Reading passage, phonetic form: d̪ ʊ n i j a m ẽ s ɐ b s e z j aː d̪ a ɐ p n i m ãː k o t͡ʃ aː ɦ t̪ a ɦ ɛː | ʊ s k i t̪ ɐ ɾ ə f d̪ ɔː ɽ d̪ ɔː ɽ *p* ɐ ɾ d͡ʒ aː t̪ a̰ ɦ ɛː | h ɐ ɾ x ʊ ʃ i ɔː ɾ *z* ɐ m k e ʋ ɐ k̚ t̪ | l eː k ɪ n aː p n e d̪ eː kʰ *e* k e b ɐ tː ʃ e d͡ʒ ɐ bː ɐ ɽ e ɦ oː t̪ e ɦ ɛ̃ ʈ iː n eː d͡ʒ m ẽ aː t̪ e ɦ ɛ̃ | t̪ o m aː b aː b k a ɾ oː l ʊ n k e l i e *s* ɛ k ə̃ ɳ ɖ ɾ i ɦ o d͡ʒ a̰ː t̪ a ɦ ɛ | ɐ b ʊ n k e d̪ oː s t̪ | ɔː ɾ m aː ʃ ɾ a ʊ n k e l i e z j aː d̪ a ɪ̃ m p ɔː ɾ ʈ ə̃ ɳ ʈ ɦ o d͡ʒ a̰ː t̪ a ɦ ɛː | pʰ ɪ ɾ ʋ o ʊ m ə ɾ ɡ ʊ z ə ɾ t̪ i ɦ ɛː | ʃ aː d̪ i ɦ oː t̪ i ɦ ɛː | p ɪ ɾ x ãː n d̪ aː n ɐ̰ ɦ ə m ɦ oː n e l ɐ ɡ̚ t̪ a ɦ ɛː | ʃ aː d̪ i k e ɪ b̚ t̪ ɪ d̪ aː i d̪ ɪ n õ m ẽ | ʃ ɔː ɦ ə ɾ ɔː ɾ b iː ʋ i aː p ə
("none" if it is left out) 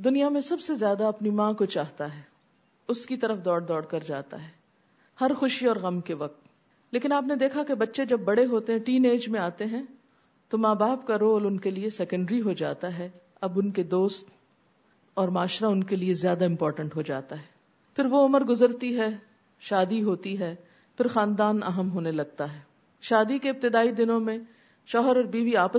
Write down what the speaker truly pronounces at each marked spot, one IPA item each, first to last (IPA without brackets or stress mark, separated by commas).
k, ɣ, a, s